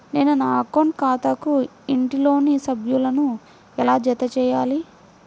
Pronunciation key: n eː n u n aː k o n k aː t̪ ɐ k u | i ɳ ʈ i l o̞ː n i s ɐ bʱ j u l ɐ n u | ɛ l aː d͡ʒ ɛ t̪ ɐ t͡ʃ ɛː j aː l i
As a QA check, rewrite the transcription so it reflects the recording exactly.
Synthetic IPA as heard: n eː n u n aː k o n k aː t̪ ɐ k u | i ɳ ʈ i l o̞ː n i s ɐ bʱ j u l ɐ n u | ɛ l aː d͡ʒ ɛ t̪ ɐ t͡ʃ ɛː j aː l i